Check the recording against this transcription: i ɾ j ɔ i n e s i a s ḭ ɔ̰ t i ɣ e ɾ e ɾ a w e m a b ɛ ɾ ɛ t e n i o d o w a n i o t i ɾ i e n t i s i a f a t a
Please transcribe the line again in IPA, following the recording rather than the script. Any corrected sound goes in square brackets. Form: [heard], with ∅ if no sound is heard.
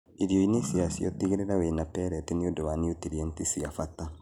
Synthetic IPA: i ɾ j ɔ i n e s i a s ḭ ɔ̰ t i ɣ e ɾ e ɾ a w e [n] a [p] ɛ ɾ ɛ t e n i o d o w a n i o t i ɾ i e n t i s i a f a t a